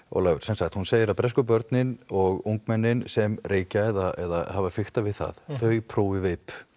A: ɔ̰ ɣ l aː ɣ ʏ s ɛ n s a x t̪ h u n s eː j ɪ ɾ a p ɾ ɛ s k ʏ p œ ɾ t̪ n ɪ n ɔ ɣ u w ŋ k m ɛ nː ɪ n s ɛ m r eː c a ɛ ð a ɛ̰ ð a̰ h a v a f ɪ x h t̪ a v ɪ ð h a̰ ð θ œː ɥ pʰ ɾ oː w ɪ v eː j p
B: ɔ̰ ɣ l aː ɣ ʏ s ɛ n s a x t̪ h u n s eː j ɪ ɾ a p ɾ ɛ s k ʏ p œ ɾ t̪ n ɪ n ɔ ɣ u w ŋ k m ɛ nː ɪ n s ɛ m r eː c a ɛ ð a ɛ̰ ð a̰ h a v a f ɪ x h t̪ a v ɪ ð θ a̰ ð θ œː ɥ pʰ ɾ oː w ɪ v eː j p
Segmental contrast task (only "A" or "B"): B